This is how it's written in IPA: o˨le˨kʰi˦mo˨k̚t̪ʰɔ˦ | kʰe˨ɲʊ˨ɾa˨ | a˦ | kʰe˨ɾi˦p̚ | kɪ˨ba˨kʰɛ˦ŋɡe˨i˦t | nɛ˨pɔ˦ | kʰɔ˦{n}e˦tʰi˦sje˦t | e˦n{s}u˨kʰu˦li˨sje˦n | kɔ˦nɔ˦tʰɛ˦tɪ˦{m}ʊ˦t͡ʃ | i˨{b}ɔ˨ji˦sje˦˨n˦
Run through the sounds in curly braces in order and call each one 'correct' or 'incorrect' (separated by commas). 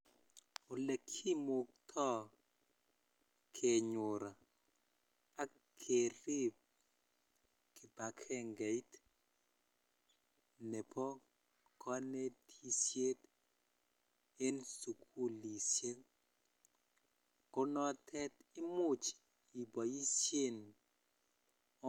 correct, correct, correct, correct